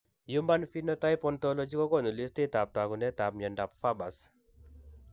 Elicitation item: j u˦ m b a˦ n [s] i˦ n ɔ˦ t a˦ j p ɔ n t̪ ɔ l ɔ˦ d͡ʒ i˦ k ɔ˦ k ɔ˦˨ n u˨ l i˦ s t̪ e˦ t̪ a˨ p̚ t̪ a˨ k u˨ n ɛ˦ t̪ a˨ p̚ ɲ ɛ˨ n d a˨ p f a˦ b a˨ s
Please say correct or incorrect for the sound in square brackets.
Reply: incorrect: f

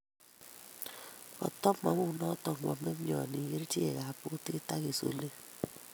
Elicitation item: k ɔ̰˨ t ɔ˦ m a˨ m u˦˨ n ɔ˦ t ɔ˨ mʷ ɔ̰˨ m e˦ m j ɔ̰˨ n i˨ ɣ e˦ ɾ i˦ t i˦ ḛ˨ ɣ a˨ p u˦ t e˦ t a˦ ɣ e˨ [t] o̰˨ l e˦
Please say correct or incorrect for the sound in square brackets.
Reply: incorrect: s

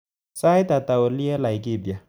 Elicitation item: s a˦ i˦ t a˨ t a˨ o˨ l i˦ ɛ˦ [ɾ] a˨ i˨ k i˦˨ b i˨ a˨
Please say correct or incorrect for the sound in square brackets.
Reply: incorrect: l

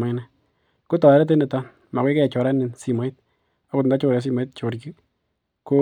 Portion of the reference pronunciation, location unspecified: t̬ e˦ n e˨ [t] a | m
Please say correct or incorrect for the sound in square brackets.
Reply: correct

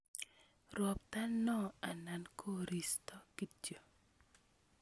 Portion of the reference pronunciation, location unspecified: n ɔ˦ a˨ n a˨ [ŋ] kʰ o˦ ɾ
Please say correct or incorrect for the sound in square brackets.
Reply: incorrect: n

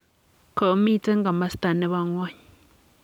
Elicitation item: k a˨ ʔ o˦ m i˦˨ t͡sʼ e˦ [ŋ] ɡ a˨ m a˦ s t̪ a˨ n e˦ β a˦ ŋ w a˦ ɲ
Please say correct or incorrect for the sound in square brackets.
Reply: correct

